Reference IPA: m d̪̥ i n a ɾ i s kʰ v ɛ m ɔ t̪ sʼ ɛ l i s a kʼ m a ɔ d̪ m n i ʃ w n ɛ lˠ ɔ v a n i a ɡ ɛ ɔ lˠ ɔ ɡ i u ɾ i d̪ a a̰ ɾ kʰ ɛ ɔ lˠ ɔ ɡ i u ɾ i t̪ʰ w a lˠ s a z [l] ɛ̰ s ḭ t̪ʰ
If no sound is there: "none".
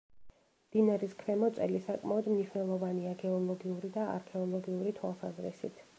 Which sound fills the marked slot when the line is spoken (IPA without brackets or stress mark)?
ɾ